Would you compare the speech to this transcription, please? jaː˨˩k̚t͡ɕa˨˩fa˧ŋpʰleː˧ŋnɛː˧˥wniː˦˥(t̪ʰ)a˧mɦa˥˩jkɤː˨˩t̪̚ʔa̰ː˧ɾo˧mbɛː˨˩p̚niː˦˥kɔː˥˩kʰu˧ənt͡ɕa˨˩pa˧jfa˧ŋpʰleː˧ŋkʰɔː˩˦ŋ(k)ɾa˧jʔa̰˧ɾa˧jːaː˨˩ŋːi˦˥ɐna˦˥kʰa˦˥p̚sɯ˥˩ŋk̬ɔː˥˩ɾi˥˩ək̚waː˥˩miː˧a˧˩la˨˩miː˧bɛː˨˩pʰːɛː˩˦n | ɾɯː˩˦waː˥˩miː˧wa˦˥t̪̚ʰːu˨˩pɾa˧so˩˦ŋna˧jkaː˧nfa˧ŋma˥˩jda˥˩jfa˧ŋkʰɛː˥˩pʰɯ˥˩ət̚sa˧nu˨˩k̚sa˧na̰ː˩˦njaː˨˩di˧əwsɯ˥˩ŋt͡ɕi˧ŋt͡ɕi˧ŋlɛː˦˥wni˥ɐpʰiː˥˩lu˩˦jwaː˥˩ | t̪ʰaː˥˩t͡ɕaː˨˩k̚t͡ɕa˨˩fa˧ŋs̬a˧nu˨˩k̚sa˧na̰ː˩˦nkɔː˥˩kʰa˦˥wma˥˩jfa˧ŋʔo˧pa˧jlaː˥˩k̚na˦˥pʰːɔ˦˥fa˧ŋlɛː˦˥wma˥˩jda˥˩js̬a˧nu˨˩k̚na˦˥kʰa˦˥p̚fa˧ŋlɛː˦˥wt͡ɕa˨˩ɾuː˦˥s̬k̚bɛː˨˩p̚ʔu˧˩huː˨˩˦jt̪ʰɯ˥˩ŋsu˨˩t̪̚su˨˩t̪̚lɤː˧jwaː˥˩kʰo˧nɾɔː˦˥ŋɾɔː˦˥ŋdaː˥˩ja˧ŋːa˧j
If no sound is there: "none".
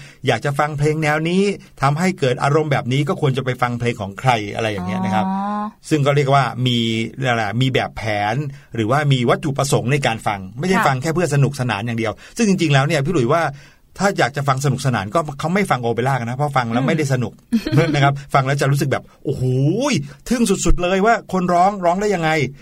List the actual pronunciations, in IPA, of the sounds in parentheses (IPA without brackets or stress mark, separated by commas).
t̪ʰ, kʰ